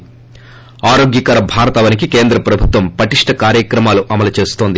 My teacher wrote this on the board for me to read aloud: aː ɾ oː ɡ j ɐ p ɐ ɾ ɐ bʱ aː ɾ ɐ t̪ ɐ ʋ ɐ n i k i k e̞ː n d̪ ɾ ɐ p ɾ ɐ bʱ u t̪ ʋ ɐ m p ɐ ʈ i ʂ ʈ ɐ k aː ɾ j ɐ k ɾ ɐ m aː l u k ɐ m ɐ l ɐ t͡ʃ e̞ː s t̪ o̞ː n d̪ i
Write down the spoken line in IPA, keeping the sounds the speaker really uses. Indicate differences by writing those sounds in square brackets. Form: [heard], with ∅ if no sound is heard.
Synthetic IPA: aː ɾ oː ɡ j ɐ [k] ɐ ɾ ɐ bʱ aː ɾ ɐ t̪ ɐ ʋ ɐ n i k i k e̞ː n d̪ ɾ ɐ p ɾ ɐ bʱ u t̪ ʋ ɐ m p ɐ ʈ i ʂ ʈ ɐ k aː ɾ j ɐ k ɾ ɐ m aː l u [ʔ] ɐ m ɐ l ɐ t͡ʃ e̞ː s t̪ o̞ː n d̪ i